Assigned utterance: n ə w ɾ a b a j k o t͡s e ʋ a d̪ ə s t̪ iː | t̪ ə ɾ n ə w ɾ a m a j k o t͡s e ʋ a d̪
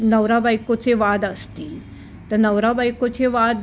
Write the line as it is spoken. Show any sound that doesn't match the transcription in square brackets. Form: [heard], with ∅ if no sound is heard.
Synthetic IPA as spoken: n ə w ɾ a b a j k o t͡s e ʋ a d̪ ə s t̪ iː | t̪ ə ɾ n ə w ɾ a [b] a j k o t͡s e ʋ a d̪